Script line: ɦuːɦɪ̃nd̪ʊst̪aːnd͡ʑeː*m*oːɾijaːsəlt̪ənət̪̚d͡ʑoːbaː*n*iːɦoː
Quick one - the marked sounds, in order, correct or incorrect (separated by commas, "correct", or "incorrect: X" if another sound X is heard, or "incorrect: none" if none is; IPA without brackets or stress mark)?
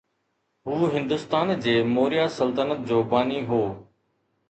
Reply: correct, correct